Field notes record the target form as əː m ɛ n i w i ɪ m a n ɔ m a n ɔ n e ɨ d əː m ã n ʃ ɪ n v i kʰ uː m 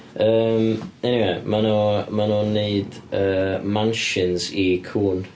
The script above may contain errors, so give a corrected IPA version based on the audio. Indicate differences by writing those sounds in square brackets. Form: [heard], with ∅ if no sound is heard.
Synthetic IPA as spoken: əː m ɛ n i w [e] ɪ m a n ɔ m a n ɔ n e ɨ d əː m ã n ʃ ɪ n [z] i kʰ uː [n]